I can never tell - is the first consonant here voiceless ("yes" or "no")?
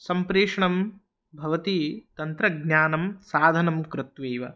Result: yes